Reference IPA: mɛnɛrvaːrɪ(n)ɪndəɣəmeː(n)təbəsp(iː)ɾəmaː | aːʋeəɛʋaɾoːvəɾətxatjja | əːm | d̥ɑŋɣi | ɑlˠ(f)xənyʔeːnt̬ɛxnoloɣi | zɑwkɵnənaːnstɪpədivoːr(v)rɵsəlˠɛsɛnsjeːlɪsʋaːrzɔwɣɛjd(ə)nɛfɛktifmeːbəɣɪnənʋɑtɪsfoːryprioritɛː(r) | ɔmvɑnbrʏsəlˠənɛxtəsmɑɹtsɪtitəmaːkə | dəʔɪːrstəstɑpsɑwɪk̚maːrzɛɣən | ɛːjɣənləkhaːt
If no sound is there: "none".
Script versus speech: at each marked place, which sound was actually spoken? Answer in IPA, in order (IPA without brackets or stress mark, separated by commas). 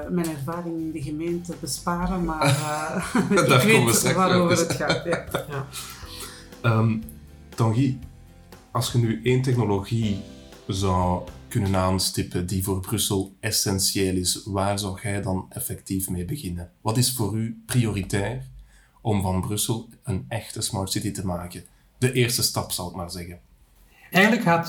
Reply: ŋ, n, aː, s, b, ɑ, r